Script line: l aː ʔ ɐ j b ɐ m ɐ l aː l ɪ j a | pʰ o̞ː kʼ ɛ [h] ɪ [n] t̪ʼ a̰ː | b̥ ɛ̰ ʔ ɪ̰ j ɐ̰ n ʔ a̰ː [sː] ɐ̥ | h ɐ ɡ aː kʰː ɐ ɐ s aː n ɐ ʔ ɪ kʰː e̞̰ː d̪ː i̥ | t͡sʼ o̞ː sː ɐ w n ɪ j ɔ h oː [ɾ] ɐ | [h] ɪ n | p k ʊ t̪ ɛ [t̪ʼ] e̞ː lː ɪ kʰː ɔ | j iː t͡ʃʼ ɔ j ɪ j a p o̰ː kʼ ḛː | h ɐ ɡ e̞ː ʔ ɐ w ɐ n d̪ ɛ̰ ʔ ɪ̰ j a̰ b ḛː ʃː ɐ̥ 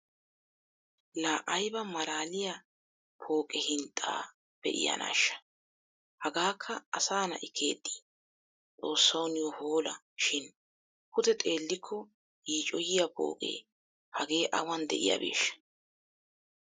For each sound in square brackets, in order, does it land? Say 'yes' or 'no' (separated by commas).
yes, yes, no, no, no, yes